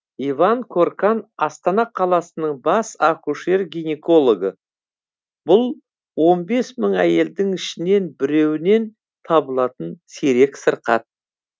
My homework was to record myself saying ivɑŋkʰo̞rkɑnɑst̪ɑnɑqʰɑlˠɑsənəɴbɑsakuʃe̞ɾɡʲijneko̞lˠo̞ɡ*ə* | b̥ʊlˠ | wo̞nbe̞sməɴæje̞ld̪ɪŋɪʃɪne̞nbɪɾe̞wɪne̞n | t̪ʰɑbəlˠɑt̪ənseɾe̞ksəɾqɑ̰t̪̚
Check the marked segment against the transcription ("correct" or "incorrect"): correct